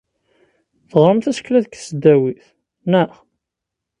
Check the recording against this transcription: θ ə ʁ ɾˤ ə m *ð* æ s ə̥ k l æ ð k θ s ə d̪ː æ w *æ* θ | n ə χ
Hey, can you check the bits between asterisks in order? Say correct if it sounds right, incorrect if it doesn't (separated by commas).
incorrect, incorrect